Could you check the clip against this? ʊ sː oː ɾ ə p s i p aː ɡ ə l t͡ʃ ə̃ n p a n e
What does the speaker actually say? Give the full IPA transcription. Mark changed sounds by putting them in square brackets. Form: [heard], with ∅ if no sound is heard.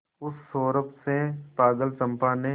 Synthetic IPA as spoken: ʊ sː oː ɾ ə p s [e] p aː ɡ ə l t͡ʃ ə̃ [m] p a n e